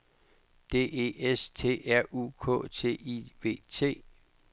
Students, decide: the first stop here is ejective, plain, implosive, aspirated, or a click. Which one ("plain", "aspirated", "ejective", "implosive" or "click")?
plain